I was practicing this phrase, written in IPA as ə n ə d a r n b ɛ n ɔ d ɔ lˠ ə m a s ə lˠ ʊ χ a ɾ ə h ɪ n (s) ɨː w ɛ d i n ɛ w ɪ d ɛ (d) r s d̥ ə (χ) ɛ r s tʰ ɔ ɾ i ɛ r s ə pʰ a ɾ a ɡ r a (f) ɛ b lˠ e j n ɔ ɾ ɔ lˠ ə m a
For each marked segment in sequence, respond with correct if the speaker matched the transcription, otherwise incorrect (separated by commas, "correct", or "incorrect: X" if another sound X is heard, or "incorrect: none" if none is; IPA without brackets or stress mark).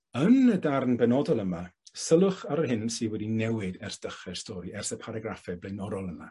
correct, incorrect: none, correct, correct